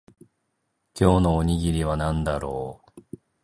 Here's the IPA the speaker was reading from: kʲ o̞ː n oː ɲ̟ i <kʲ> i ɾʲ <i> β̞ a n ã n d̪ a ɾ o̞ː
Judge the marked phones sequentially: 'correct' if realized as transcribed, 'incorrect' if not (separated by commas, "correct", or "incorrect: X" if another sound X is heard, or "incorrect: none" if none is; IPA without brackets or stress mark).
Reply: incorrect: ɡʲ, correct